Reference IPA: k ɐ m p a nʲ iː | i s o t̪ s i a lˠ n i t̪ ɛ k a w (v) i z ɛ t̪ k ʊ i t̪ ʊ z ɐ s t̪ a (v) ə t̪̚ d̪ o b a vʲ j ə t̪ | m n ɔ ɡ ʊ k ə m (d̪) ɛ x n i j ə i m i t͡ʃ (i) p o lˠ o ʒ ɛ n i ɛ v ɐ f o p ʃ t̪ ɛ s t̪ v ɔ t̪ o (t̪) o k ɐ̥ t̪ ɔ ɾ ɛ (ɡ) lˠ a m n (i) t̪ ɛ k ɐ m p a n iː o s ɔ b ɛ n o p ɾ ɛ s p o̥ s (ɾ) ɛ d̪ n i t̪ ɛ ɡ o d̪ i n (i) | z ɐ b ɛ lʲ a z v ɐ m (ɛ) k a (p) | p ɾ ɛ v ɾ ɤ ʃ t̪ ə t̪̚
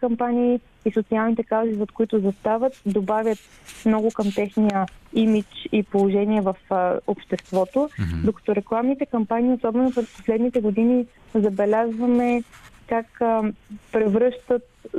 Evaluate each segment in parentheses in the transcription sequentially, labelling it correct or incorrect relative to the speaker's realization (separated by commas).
incorrect, correct, incorrect, correct, incorrect, incorrect, correct, incorrect, correct, correct, incorrect